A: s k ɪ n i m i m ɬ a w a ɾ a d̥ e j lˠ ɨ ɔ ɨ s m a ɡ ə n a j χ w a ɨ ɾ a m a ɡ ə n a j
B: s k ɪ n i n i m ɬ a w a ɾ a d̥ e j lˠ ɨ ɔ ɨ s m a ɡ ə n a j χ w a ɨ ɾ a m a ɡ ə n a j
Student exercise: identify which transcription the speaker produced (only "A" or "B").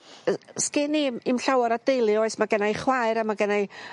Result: A